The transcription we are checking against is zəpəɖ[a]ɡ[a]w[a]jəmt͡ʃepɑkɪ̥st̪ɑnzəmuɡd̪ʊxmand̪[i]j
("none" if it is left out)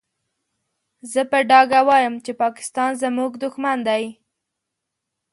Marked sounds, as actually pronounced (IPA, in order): ɑ, a, ɑ, a

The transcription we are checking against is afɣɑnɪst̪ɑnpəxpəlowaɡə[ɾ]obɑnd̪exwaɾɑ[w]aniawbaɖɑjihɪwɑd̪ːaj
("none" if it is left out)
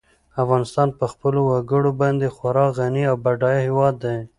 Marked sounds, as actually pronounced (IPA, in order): ɽ, ɣ

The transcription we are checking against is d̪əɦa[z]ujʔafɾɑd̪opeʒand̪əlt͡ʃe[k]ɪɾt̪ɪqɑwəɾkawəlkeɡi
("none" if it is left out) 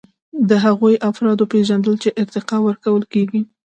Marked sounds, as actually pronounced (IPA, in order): ɣ, ʔ

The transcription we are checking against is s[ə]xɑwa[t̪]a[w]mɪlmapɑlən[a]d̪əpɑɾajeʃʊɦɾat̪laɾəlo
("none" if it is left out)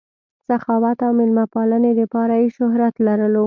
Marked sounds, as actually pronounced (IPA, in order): a, t̪, w, e

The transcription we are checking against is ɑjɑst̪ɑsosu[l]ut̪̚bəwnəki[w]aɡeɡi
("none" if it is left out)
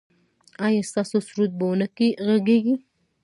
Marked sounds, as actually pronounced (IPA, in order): ɾ, ɣ

